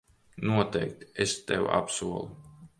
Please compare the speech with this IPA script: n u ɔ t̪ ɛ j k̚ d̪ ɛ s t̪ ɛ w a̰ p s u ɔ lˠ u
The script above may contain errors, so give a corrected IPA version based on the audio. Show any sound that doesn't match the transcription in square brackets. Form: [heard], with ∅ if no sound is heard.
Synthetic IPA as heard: n u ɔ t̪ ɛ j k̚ [t̪] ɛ s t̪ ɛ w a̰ p s u ɔ lˠ u